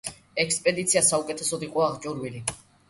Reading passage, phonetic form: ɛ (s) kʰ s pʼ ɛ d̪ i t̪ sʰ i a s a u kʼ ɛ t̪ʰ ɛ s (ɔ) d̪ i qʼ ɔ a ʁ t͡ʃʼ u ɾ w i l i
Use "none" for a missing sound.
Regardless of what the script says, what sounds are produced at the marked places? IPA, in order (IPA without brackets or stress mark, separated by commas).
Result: none, ɔ